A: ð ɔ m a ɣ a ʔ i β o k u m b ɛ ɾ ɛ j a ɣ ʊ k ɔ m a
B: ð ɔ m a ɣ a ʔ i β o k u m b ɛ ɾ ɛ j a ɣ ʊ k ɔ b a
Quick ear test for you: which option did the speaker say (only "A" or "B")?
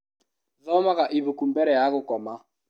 A